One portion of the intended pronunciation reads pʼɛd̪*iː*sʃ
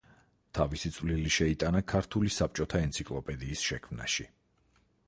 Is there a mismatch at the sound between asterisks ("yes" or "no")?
no